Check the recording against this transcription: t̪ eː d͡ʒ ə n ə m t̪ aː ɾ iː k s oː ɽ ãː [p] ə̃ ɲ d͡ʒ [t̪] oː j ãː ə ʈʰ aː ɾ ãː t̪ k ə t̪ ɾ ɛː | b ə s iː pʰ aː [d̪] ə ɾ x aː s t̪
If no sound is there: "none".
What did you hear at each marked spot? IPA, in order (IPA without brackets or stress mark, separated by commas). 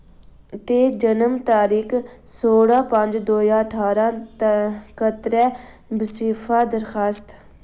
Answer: p, d̪, d̪